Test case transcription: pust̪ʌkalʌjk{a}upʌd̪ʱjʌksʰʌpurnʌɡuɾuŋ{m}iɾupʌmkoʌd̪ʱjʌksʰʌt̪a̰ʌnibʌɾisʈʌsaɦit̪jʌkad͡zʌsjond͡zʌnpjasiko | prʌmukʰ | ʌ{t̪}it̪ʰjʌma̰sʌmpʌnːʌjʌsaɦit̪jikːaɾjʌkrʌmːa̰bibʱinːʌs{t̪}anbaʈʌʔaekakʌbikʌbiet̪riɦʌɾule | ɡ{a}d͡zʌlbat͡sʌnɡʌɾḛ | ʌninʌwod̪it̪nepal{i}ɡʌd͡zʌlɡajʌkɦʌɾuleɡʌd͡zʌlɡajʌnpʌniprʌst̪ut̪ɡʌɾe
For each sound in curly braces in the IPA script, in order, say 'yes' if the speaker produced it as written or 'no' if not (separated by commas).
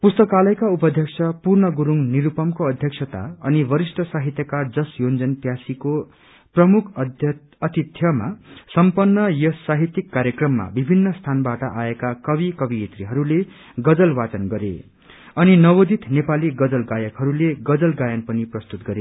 yes, no, yes, no, no, yes